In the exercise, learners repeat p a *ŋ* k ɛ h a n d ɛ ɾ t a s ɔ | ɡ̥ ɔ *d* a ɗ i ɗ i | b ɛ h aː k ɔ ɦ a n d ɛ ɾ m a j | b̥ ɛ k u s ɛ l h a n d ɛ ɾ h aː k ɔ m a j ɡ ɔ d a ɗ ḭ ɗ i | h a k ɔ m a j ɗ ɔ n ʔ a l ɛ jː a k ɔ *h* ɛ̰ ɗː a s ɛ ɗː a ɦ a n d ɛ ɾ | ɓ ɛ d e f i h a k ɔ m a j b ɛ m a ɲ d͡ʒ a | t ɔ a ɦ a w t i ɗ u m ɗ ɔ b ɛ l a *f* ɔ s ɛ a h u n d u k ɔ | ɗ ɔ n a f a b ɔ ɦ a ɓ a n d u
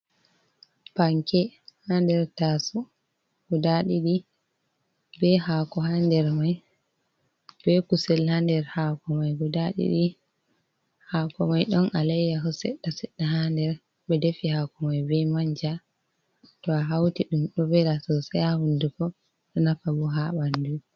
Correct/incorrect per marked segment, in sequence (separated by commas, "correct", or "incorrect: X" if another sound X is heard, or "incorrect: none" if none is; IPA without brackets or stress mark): correct, correct, incorrect: s, incorrect: s